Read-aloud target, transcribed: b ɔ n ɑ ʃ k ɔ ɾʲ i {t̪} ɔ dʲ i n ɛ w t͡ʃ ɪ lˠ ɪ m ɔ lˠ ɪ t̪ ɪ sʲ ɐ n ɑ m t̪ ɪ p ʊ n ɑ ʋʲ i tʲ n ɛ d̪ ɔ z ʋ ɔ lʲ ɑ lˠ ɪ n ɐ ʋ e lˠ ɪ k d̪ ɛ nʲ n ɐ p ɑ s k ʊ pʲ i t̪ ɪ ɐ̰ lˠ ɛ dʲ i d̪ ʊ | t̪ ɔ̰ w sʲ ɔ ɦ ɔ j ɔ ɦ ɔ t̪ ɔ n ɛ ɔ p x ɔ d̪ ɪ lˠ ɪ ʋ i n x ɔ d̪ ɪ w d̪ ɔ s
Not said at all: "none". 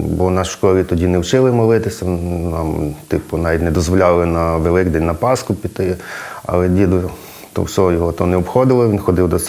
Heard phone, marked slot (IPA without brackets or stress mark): t̪